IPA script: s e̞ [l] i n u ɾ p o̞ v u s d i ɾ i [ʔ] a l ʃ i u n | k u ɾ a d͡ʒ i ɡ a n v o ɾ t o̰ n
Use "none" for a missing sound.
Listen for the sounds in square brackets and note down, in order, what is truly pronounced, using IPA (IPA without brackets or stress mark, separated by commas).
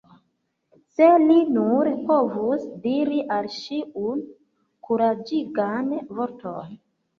l, ʔ